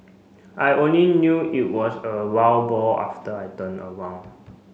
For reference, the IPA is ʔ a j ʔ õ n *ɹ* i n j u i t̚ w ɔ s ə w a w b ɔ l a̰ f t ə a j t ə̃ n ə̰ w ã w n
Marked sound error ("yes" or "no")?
yes